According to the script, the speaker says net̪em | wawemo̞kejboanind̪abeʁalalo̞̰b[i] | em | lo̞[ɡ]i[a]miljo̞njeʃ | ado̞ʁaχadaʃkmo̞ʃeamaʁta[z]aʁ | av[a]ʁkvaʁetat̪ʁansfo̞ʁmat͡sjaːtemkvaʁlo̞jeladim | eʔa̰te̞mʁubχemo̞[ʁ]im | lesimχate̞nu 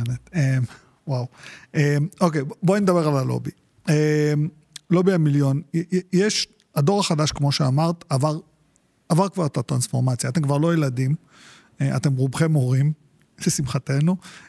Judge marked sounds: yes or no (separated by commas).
yes, no, yes, no, yes, yes